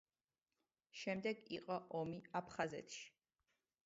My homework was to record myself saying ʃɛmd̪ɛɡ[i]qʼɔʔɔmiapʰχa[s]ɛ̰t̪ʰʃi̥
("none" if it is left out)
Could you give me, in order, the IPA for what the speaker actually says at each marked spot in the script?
i, z

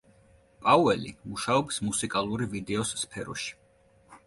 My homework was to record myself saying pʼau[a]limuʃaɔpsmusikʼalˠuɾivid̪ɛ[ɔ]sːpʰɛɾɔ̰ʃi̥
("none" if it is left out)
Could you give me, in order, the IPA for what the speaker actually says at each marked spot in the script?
ɛ, ɔ

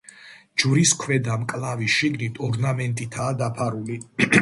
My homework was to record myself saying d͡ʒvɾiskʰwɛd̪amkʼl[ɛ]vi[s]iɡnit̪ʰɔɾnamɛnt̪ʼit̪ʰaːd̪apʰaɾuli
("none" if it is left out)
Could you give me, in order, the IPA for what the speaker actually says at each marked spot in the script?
a, ʃ

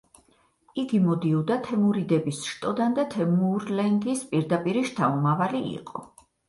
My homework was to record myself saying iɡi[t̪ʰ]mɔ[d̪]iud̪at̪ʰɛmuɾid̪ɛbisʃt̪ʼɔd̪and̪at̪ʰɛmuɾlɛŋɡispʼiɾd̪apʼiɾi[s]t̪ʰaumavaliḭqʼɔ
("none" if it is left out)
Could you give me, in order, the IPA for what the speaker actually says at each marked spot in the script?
none, d̪, ʃ

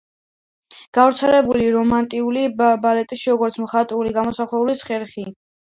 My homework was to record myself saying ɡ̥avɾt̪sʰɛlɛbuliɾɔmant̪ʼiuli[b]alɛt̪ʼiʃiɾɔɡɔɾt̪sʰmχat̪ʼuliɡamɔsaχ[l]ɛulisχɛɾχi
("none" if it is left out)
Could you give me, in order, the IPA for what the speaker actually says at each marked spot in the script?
b, l

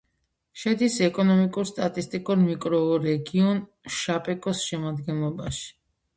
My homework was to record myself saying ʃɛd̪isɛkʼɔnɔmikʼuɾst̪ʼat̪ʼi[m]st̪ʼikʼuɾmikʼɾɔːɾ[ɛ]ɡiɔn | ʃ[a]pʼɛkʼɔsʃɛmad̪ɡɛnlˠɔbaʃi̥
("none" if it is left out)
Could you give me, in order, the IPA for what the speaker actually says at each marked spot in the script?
none, ɛ, a

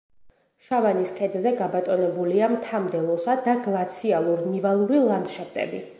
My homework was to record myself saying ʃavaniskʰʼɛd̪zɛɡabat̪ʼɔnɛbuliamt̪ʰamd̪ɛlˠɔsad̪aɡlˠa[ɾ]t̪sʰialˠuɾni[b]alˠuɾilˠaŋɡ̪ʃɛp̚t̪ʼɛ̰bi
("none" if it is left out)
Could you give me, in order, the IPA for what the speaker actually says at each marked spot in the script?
none, v

